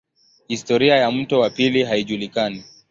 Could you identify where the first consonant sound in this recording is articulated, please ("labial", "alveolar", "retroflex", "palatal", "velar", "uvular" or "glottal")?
glottal